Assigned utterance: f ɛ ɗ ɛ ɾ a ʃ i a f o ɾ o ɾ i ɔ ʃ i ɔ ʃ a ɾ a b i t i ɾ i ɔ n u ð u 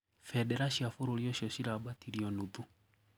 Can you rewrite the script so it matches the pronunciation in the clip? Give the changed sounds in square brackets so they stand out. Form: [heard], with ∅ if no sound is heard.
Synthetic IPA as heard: f ɛ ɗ ɛ ɾ a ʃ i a f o ɾ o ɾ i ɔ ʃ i ɔ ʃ [i] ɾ a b [a] t i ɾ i ɔ n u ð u